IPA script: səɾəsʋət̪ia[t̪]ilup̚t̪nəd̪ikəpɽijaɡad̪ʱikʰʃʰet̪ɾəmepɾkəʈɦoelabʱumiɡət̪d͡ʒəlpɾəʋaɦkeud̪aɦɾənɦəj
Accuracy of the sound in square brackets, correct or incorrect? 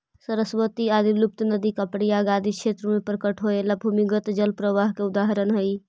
incorrect